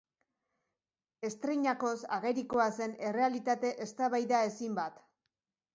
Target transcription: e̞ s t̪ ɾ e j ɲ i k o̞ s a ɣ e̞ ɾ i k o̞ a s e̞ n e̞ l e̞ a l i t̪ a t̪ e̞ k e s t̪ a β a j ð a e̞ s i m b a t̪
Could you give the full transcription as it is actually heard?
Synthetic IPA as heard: e̞ s t̪ ɾ e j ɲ a k o̞ s a ɣ e̞ ɾ i k o̞ a s e̞ n e̞ r e̞ a l i t̪ a t̪ e̞ ʔ e s t̪ a β a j ð a e̞ s i m b a t̪